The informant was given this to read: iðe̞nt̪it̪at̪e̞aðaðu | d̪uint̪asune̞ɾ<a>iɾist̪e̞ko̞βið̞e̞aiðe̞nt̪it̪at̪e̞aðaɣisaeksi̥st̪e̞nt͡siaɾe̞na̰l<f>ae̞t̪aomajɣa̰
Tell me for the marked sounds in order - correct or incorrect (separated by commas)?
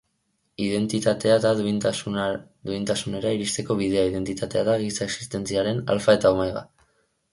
correct, correct